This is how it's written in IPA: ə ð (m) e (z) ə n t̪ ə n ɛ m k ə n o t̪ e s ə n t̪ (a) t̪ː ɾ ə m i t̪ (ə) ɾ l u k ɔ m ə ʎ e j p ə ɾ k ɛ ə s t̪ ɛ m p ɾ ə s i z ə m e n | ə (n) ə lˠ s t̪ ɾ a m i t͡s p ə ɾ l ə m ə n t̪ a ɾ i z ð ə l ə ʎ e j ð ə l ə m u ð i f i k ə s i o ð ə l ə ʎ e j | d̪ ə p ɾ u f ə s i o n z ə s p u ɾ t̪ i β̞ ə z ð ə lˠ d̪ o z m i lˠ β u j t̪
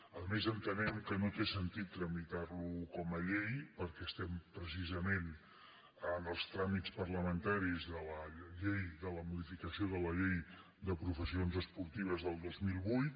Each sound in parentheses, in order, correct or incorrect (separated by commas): correct, correct, incorrect, incorrect, correct